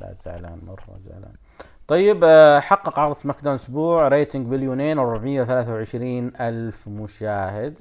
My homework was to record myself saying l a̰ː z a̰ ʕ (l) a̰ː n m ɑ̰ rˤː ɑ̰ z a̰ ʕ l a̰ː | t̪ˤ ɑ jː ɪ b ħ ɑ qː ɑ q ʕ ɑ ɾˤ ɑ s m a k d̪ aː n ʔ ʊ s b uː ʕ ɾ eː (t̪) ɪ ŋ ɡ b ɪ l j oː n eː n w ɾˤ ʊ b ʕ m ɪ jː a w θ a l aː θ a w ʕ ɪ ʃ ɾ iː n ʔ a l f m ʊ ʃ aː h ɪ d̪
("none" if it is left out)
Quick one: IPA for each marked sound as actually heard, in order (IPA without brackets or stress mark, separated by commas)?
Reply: l, t̪